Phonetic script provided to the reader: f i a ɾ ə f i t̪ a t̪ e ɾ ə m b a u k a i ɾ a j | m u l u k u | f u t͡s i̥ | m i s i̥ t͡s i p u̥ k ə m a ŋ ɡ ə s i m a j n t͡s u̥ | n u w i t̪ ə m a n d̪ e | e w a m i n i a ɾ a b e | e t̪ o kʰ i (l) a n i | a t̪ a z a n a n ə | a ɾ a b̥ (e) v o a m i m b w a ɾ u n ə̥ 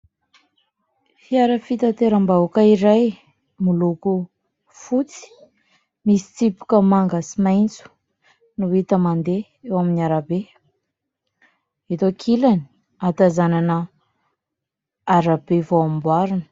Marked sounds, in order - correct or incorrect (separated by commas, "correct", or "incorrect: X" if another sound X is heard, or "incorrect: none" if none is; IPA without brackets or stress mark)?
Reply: correct, correct